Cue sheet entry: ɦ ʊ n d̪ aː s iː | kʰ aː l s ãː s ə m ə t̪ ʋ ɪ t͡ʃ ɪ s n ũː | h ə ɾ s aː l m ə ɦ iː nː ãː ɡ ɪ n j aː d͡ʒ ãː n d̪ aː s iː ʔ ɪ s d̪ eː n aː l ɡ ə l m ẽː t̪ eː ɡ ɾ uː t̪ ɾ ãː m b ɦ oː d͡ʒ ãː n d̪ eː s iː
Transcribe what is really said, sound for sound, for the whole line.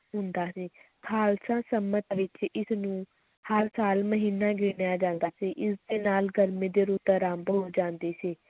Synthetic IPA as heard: ɦ ʊ n d̪ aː s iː | kʰ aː l s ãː s ə m ə t̪ ʋ ɪ t͡ʃ ɪ s n ũː | h ə ɾ s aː l m ə ɦ iː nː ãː ɡ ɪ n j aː d͡ʒ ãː n d̪ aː s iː ʔ ɪ s d̪ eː n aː l ɡ ə ɾ m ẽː d̪ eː ɾ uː t̪ ɾ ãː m b ɦ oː d͡ʒ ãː n d̪ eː s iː